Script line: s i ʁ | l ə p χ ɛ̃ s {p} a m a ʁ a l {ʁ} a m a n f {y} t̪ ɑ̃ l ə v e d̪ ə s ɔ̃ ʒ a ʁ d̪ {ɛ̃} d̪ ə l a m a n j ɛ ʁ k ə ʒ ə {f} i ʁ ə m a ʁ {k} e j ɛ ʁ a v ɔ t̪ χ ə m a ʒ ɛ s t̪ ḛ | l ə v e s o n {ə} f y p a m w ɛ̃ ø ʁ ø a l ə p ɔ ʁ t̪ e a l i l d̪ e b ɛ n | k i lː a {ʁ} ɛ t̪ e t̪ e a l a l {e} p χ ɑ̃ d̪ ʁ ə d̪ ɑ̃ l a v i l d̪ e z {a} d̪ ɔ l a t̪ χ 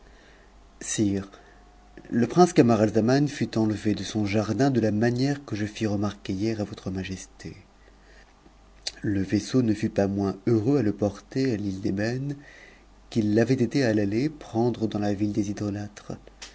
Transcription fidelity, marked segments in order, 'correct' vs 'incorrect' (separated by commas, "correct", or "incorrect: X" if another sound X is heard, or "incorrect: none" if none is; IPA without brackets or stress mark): incorrect: k, incorrect: z, correct, correct, correct, correct, correct, incorrect: v, correct, incorrect: i